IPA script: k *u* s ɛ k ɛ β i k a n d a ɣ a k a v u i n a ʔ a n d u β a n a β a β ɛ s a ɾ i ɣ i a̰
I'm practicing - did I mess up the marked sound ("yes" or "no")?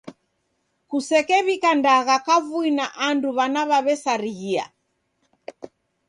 no